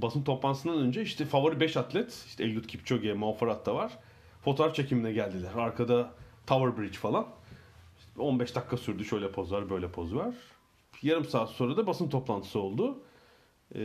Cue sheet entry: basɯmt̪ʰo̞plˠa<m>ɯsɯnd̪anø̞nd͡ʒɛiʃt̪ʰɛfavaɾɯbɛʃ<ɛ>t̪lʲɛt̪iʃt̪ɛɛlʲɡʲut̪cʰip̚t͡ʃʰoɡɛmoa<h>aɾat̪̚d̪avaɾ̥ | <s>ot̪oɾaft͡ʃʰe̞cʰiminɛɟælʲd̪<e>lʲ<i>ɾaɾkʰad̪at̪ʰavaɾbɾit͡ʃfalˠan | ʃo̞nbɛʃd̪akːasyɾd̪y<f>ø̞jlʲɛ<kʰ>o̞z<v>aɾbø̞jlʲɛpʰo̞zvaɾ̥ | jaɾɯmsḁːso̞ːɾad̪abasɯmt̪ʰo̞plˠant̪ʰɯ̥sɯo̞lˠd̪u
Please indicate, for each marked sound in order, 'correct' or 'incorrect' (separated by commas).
incorrect, incorrect, incorrect, incorrect, incorrect, incorrect, incorrect, incorrect, correct